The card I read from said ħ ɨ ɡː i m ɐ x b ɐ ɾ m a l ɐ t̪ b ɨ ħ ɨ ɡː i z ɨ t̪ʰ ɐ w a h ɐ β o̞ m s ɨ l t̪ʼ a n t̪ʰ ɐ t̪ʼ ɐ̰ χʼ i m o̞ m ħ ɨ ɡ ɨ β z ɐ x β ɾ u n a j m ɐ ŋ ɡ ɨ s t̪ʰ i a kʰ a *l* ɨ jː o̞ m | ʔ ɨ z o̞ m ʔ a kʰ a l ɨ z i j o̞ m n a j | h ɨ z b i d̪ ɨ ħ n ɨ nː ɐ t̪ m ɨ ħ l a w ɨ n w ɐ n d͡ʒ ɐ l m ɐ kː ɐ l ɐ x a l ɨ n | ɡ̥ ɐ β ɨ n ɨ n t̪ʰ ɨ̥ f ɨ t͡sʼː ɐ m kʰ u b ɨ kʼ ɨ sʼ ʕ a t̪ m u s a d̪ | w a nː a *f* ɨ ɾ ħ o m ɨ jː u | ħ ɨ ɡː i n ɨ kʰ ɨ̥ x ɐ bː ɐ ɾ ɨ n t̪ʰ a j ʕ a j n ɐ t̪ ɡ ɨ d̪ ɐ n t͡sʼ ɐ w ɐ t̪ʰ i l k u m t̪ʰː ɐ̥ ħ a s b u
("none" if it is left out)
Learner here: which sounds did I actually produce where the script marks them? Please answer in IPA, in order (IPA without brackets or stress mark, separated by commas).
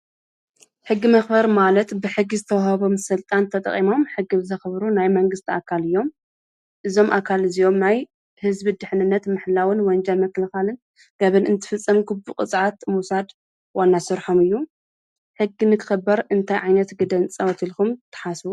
l, s